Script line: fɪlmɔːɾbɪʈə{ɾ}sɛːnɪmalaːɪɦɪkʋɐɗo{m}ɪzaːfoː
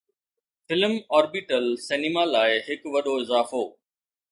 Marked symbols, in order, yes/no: no, no

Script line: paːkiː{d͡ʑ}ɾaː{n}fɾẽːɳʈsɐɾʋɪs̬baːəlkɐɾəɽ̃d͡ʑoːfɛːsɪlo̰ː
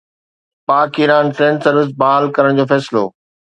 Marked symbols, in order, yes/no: no, yes

